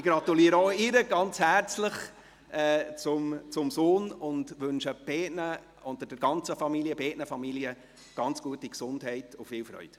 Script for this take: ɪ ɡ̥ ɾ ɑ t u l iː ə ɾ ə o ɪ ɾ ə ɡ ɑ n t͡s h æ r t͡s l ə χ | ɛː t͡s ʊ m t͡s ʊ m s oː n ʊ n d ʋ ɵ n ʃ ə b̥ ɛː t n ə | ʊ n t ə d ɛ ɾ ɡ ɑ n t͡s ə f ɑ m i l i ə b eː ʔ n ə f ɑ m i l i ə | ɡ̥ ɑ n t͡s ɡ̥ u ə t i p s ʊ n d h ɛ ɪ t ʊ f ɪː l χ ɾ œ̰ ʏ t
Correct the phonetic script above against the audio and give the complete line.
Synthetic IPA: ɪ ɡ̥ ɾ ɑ t u l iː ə ɾ ə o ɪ ɾ ə ɡ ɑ n t͡s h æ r t͡s l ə χ | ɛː t͡s ʊ m t͡s ʊ m s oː n ʊ n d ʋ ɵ n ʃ ə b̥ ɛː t n ə | ʊ n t ə d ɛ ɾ ɡ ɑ n t͡s ə f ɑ m i l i ə b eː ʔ n ə f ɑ m i l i ə | ɡ̥ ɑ n t͡s ɡ̥ u ə t i k s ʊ n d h ɛ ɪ t ʊ f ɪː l f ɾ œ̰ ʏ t